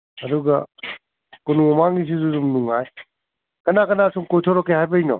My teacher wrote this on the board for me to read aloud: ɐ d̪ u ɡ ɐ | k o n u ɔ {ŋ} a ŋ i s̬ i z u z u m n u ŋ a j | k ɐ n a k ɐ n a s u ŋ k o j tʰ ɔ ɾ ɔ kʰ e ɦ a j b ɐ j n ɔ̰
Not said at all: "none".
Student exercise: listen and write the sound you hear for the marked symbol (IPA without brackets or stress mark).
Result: m